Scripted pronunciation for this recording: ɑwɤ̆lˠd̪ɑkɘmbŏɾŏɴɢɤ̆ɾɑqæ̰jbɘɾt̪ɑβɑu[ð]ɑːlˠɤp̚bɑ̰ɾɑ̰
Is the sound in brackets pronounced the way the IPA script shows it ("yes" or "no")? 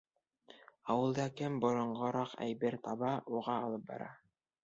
no